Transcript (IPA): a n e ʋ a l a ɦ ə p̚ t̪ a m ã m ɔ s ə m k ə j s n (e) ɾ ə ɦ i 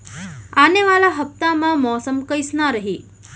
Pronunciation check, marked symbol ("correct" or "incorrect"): incorrect